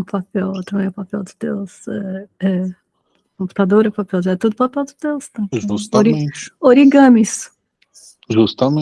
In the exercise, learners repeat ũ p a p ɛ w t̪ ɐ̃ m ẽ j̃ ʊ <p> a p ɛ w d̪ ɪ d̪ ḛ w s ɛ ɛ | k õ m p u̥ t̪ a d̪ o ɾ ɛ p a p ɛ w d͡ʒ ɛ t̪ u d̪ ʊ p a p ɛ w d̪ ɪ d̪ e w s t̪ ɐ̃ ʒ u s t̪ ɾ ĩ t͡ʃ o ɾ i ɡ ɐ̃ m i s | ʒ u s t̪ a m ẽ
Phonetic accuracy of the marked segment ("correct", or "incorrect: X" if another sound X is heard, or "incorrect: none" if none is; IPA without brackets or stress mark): correct